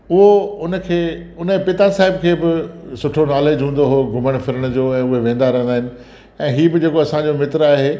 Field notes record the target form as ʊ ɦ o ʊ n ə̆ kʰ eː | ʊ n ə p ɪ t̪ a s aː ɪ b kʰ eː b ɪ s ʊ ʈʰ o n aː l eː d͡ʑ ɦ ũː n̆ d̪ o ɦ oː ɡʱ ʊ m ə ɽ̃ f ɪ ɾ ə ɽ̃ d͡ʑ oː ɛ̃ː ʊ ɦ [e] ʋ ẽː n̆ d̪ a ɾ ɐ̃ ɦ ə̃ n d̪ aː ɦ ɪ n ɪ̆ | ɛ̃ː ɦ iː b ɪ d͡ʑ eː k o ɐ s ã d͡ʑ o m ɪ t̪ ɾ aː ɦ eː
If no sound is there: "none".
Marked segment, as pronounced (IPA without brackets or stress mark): e